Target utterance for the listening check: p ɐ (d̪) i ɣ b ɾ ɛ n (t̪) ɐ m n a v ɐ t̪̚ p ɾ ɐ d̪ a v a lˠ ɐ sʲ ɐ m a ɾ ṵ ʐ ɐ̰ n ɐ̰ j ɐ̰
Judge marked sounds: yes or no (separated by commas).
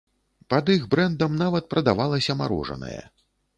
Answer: yes, no